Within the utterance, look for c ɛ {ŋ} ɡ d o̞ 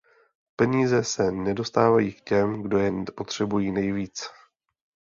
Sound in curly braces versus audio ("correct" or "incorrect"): incorrect